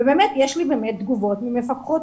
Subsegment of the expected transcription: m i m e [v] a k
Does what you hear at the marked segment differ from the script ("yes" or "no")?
yes